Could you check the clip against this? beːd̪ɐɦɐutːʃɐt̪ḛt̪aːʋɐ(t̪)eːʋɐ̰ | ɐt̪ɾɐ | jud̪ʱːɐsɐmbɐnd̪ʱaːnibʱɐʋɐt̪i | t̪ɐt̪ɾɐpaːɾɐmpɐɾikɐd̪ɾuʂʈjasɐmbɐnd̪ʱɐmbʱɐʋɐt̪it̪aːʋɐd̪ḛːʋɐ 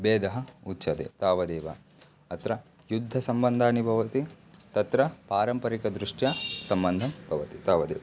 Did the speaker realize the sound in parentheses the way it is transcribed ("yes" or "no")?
no